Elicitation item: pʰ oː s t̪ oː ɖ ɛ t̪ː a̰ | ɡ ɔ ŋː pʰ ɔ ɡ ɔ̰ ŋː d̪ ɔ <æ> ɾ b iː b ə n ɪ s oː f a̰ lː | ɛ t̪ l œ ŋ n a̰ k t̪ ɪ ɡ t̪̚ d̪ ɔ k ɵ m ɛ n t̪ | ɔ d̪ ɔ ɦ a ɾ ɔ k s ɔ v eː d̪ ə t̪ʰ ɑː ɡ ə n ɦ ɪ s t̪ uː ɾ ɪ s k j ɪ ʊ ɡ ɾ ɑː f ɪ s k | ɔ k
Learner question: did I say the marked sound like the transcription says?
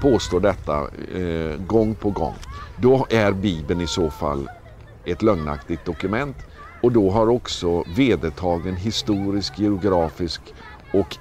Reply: yes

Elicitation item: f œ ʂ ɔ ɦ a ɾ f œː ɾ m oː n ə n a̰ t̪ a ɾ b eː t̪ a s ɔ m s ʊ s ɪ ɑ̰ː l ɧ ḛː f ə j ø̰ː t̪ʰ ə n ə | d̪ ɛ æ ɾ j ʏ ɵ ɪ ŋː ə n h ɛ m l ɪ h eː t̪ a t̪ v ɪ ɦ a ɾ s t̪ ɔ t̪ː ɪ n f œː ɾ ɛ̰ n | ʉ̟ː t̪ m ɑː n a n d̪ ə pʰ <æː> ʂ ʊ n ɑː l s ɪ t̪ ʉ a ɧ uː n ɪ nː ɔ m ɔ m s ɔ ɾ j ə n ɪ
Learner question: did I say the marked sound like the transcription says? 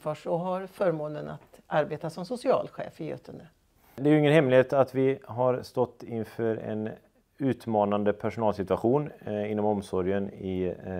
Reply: no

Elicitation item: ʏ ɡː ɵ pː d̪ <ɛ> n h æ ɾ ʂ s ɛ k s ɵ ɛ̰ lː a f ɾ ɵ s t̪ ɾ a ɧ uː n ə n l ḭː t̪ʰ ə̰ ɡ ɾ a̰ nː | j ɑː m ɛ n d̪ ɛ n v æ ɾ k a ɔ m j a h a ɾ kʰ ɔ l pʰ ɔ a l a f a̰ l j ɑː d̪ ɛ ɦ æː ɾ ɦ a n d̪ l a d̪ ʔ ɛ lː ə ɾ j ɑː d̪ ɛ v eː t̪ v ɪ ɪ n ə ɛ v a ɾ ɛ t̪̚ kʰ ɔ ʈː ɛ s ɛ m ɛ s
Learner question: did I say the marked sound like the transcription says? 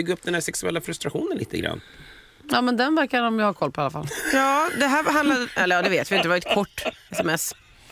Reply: yes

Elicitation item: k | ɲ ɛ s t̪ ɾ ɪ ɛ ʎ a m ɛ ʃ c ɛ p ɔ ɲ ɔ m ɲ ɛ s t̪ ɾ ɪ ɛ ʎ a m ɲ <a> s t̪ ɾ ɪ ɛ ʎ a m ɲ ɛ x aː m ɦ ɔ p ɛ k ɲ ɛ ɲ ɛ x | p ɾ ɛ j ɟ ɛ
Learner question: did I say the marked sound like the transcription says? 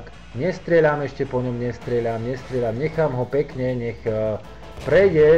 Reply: no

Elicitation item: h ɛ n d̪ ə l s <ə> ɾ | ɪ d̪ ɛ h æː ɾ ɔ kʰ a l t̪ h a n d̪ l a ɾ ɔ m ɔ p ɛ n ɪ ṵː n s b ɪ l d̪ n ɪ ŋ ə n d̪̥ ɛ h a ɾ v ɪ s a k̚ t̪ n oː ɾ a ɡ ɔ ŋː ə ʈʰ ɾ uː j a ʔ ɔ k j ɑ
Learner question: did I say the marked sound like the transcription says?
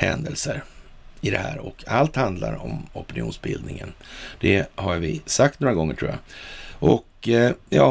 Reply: yes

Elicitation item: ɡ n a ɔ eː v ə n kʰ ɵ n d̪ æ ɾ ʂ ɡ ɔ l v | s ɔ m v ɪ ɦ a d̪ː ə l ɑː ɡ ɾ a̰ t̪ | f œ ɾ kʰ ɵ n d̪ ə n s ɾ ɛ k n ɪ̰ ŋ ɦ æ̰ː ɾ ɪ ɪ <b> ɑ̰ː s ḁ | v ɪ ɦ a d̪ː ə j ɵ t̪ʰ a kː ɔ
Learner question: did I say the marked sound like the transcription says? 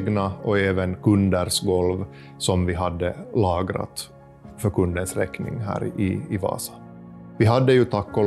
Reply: no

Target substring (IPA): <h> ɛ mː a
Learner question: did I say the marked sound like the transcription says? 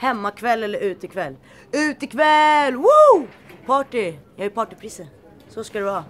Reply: yes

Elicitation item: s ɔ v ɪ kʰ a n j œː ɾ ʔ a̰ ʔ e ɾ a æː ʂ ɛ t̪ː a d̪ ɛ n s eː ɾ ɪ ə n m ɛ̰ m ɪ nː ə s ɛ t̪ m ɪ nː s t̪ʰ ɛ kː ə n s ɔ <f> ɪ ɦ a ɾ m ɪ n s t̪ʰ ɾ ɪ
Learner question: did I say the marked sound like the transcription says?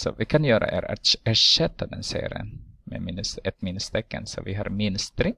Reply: no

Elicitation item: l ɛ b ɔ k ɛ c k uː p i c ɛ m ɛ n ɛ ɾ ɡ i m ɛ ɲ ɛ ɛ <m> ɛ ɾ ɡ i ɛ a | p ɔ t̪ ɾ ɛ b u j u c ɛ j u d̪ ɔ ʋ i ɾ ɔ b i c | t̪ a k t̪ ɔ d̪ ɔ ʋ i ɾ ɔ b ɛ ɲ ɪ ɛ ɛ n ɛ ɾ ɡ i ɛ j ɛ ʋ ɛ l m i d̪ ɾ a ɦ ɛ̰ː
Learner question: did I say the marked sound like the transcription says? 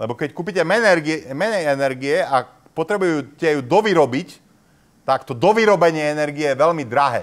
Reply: no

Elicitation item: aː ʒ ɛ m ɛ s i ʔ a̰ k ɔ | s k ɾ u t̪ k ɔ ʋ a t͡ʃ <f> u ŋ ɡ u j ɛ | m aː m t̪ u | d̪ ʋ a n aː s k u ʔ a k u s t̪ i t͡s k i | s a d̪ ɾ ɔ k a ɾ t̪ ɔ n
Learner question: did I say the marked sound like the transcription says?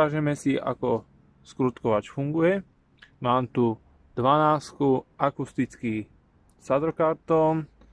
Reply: yes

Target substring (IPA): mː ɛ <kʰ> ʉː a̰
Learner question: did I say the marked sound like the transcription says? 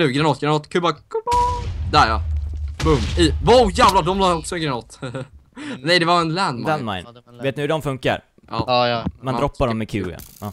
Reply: yes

